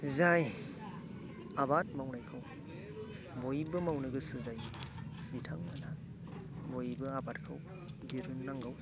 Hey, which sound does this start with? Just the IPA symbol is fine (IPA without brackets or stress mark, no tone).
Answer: z